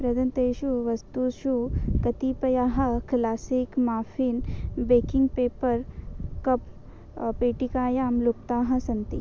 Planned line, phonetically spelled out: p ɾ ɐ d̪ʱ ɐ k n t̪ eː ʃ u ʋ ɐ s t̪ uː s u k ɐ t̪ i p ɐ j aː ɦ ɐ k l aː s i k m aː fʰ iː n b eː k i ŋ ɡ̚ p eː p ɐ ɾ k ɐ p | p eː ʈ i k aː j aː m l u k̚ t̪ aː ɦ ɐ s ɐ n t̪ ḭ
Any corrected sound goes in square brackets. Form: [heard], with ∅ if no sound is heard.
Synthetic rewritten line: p ɾ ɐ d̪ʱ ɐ [∅] n t̪ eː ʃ u ʋ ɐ s t̪ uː [ʃ] u k ɐ t̪ i p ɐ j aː ɦ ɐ k l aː s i k m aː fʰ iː n b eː k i ŋ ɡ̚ p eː p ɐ ɾ k ɐ p | p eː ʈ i k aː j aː m l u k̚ t̪ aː ɦ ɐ s ɐ n t̪ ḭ